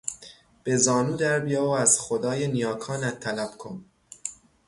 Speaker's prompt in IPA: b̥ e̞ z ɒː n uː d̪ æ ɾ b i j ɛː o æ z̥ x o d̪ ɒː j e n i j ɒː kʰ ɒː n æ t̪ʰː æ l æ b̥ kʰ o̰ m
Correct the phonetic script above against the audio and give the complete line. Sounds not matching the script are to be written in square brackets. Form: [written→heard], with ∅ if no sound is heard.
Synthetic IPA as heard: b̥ e̞ z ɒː n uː d̪ æ ɾ b i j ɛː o æ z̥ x o d̪ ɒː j e n i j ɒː kʰ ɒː n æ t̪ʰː æ l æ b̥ kʰ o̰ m